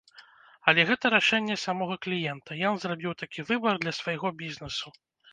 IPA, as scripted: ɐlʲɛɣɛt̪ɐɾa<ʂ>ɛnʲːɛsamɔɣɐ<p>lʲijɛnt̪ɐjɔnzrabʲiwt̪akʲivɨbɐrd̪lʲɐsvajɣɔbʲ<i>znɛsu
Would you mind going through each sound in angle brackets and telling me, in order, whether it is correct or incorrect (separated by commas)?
correct, incorrect, correct